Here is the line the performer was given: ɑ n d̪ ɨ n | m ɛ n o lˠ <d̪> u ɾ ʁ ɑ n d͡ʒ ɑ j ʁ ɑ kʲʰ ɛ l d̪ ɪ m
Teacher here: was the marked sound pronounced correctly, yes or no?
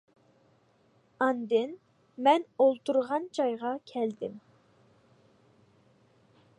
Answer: no